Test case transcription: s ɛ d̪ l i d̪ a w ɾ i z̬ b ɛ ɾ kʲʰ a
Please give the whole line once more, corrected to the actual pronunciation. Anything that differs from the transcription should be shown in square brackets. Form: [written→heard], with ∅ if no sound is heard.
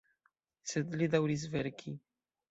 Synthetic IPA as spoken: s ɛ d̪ l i d̪ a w ɾ i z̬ [b→v] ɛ ɾ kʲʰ [a→i]

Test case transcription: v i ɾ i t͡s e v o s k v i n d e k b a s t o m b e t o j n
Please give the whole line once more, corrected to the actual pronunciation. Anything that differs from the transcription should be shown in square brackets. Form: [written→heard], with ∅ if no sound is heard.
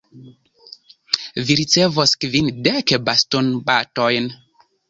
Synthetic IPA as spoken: v i ɾ i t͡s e v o s k v i n d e k b a s t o [m→n] b [e→a] t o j n

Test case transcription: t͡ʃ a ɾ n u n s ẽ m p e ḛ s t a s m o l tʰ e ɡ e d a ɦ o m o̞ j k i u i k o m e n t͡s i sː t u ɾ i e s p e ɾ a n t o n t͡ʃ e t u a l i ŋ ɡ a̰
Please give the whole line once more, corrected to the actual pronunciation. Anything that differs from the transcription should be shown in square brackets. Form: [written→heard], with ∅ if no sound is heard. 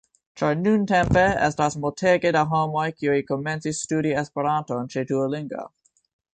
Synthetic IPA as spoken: t͡ʃ a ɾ n u n [s→t] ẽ m p e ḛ s t a s m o l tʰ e ɡ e d a ɦ o m o̞ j k i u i k o m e n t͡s i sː t u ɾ i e s p e ɾ a n t o n t͡ʃ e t u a l i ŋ ɡ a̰

